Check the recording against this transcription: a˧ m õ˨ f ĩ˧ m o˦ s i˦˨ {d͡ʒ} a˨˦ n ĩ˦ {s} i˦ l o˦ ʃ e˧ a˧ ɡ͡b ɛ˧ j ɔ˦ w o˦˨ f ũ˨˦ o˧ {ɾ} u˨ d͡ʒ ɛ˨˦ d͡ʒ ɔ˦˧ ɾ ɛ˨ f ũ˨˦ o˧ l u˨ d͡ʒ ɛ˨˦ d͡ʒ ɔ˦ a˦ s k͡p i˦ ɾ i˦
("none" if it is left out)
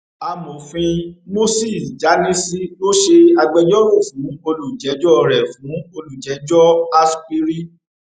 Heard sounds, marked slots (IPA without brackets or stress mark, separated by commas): d͡ʒ, s, l